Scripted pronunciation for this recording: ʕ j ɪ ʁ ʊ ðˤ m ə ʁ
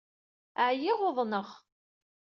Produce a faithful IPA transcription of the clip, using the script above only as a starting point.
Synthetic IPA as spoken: ʕ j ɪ ʁ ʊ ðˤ n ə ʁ